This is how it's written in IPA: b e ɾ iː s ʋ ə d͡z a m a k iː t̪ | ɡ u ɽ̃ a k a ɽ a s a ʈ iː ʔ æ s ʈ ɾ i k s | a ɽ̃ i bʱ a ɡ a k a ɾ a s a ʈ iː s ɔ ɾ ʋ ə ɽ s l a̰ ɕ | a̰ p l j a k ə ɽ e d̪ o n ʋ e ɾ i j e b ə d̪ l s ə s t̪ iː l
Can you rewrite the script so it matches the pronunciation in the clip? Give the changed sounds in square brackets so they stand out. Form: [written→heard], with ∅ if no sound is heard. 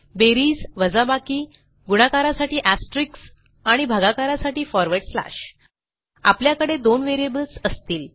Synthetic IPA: b e ɾ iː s ʋ ə d͡z a [m→b] a k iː [t̪→∅] | ɡ u ɽ̃ a k a [ɽ→ɾ] a s a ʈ iː ʔ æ s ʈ ɾ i k s | a ɽ̃ i bʱ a ɡ a k a ɾ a s a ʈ iː [s→f] ɔ ɾ ʋ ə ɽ s l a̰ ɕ | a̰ p l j a k ə ɽ e d̪ o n ʋ e ɾ i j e b ə [d̪→∅] l s ə s t̪ iː l